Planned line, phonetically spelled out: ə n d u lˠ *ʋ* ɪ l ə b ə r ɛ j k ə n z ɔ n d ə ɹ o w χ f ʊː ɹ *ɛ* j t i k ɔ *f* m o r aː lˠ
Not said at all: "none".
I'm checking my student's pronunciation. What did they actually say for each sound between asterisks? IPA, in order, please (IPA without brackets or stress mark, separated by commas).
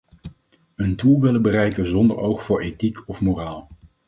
ʋ, e, f